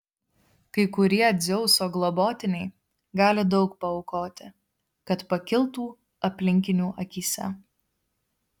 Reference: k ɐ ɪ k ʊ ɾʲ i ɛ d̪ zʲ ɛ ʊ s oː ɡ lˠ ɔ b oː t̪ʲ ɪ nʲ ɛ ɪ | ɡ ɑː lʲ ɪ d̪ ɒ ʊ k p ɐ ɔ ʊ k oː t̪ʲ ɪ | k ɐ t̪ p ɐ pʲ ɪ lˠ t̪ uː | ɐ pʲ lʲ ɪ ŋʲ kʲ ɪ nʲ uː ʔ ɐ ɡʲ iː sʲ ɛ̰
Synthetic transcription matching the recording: k ɐ ɪ k ʊ ɾʲ i ɛ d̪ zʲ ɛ ʊ s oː ɡ lˠ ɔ b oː t̪ʲ ɪ nʲ ɛ ɪ | ɡ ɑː lʲ ɪ d̪ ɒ ʊ k p ɐ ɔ ʊ k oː t̪ʲ ɪ | k ɐ t̪ p ɐ kʲ ɪ lˠ t̪ uː | ɐ pʲ lʲ ɪ ŋʲ kʲ ɪ nʲ uː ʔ ɐ kʲ iː sʲ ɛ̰